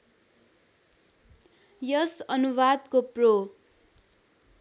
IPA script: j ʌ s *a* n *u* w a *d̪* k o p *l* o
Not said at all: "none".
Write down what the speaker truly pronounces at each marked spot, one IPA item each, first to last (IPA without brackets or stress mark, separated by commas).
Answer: ʌ, u, d̪, r